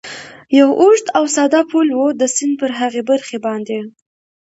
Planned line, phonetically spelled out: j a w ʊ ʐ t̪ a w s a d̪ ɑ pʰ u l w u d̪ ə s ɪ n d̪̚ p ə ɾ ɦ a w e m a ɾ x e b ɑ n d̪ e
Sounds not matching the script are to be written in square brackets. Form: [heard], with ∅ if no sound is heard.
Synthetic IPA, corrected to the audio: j a w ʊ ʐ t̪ a w s [ɑ] d̪ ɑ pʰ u l w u d̪ ə s ɪ n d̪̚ p ə ɾ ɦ a [ɣ] e [b] a ɾ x e b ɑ n d̪ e